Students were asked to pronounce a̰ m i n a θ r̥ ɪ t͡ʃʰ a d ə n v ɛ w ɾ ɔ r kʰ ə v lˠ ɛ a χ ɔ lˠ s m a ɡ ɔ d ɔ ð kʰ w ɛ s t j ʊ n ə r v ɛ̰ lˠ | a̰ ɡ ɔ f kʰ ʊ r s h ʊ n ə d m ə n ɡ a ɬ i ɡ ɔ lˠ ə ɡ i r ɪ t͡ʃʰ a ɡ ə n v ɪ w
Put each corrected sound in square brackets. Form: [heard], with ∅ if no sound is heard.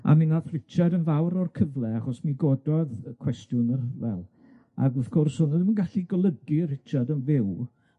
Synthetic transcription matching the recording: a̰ m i n a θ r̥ ɪ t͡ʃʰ a d ə n v [a] w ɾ ɔ r kʰ ə v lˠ ɛ a χ ɔ [∅] s m [i] ɡ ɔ d ɔ ð kʰ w ɛ s t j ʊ n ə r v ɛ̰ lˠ | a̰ ɡ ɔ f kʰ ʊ r s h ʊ n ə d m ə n ɡ a ɬ i ɡ ɔ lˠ ə ɡ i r ɪ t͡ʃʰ a [d] ə n v ɪ w